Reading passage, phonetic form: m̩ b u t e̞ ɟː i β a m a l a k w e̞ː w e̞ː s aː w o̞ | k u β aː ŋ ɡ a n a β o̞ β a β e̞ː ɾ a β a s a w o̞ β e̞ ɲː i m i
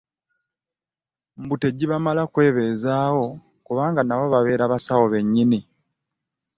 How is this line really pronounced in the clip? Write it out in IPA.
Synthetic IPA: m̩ b u t e̞ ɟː i β a m a l a k w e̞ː β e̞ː z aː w o̞ | k u β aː ŋ ɡ a n a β o̞ β a β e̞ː ɾ a β a s a w o̞ β e̞ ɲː i n i